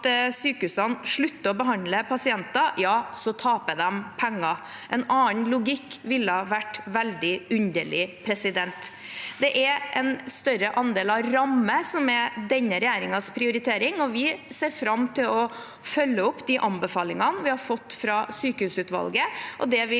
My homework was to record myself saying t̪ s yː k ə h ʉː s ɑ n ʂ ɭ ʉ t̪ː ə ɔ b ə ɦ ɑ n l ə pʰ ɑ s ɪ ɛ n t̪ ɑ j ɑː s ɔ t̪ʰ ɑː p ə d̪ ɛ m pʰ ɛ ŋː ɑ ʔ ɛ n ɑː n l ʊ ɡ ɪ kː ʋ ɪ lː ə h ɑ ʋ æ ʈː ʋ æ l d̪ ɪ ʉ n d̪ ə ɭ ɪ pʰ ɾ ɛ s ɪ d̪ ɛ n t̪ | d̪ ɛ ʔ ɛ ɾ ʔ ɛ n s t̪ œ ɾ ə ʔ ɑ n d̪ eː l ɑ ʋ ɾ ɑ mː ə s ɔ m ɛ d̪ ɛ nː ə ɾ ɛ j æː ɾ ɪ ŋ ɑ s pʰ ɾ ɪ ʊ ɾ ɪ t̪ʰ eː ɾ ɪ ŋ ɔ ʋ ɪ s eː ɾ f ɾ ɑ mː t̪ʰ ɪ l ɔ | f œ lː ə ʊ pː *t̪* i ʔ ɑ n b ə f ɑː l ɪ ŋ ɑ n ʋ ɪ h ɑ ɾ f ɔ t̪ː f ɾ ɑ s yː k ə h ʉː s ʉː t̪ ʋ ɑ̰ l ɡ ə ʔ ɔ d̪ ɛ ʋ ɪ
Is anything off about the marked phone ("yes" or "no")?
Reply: yes